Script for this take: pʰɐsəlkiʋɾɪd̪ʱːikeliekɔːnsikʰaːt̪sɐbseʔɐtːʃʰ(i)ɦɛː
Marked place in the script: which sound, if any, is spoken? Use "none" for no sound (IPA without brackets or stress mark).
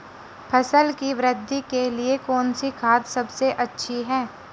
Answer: i